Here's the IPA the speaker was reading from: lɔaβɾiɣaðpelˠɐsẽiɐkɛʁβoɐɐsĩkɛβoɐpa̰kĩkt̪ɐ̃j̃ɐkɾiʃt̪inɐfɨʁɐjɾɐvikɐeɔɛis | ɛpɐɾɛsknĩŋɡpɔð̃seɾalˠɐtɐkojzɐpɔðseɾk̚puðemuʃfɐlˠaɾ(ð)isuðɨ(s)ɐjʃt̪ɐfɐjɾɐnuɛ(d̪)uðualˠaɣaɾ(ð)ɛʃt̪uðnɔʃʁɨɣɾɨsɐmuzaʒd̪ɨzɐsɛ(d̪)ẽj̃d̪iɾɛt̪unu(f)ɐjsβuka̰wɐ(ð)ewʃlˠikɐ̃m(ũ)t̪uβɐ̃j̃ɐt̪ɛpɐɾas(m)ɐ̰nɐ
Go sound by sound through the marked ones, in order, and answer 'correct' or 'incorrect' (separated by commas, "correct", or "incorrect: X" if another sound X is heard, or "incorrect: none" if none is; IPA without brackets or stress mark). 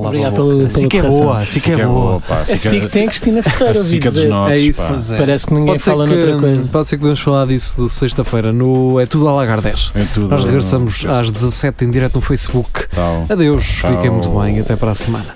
correct, correct, incorrect: t̪, correct, incorrect: t̪, correct, correct, correct, correct